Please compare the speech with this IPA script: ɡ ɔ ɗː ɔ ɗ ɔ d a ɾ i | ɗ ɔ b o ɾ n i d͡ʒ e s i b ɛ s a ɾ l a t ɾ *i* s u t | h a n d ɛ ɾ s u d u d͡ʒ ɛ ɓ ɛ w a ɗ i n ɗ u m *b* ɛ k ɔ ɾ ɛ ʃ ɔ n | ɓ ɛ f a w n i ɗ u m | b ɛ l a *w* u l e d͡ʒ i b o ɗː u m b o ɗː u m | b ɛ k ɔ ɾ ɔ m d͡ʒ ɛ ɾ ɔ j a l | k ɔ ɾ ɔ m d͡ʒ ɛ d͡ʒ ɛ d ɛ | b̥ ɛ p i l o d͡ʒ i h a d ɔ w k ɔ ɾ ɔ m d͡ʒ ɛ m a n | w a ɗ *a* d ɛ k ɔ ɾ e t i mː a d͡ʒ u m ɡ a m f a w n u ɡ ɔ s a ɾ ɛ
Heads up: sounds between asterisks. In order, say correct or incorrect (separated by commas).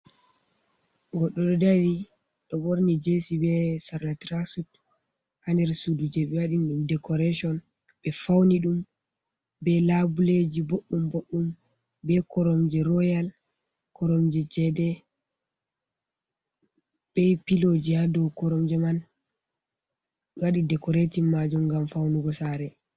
incorrect, incorrect, incorrect, incorrect